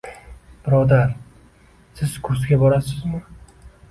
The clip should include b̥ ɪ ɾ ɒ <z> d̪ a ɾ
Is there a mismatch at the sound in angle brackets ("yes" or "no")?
yes